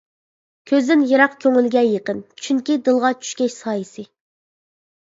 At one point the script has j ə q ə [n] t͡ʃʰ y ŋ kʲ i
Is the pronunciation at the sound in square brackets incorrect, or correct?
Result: correct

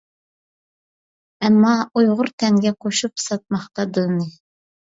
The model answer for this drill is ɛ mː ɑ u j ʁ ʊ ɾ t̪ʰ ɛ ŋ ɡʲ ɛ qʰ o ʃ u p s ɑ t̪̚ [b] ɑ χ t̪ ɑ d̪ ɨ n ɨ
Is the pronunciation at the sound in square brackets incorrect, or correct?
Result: incorrect: m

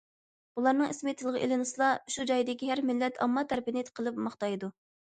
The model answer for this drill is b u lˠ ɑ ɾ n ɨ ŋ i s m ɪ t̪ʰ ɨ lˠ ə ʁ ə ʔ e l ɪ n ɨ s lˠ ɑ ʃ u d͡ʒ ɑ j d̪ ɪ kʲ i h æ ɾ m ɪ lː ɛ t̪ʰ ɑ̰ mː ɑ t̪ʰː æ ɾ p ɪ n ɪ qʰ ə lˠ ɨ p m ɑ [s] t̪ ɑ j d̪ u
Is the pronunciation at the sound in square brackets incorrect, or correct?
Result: incorrect: χ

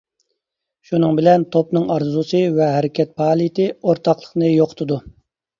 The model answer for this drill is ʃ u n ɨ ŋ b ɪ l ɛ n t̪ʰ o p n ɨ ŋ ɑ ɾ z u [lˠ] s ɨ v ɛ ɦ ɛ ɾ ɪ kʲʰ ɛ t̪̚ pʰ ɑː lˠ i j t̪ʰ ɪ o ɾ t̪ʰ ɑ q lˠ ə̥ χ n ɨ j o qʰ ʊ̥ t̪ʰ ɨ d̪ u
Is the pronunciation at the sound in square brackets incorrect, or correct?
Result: incorrect: none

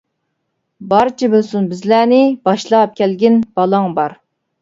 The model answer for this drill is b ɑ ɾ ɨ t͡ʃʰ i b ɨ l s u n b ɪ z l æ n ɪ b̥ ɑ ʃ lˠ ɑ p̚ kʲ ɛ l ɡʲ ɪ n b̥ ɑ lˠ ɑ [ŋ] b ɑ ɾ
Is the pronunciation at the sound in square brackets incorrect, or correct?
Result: correct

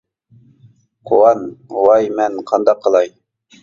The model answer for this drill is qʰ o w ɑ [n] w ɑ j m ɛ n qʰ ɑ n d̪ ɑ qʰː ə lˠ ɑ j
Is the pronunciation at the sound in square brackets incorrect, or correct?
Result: correct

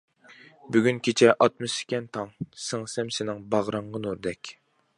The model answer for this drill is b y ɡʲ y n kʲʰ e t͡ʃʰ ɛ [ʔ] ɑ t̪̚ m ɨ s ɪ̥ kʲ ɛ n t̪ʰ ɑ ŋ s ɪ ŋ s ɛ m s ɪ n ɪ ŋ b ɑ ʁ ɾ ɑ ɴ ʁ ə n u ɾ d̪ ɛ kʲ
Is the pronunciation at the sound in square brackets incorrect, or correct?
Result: correct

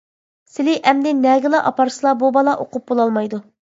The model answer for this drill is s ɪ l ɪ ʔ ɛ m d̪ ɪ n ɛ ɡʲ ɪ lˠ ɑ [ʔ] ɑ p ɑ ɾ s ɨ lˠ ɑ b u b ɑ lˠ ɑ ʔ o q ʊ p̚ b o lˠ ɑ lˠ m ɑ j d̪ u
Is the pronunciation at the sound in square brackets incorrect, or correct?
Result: correct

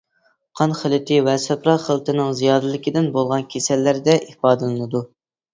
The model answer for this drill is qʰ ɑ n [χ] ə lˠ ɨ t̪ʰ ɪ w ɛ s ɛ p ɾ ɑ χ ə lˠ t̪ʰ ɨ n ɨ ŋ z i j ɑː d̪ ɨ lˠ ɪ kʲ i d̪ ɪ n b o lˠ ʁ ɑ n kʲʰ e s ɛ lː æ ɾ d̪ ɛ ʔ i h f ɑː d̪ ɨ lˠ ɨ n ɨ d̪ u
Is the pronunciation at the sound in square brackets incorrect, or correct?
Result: correct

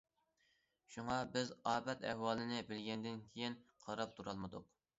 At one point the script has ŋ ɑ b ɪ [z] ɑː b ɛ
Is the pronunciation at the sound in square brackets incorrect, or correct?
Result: correct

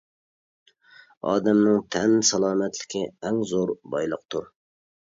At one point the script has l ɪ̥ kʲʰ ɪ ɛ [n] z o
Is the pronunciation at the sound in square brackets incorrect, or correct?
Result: incorrect: ŋ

